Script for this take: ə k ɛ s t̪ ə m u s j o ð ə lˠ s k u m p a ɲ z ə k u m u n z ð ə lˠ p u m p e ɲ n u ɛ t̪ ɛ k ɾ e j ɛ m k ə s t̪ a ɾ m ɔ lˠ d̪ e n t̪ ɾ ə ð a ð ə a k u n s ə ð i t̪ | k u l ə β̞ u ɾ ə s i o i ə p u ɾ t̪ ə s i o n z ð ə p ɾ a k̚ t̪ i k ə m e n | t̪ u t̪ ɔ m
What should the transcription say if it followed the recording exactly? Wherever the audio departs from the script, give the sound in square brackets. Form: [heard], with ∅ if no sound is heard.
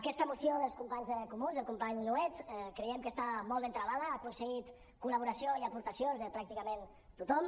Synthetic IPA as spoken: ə k ɛ s t̪ ə m u s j o ð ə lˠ s k u m p a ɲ z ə k u m u n z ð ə lˠ [k] u m p [a] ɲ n u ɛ t̪ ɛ k ɾ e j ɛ m k ə s t̪ a [∅] m ɔ lˠ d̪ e n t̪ ɾ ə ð a ð ə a k u n s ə [ɣ] i t̪ | k u l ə β̞ u ɾ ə s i o i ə p u ɾ t̪ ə s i o n z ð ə p ɾ a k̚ t̪ i k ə m e n | t̪ u t̪ ɔ m